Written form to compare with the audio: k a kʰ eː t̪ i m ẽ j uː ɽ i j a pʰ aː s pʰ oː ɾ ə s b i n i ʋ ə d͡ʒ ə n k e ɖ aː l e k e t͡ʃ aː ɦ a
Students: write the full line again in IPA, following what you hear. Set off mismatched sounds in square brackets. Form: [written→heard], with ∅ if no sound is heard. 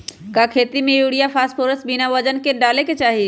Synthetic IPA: k a kʰ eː t̪ i m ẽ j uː ɽ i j a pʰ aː s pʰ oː ɾ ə s b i n [i→a] ʋ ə d͡ʒ ə n k e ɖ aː l e k e t͡ʃ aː ɦ [a→i]